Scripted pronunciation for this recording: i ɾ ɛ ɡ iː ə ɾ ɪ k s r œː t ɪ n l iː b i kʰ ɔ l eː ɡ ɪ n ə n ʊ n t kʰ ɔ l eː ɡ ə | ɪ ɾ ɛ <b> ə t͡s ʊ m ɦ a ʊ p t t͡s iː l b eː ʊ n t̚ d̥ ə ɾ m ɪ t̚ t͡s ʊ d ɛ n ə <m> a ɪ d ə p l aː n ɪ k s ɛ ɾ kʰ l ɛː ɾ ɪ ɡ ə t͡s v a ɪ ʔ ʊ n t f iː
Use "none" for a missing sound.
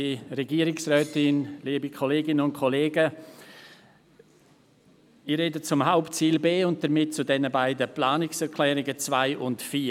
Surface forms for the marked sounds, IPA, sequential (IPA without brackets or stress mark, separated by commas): d, b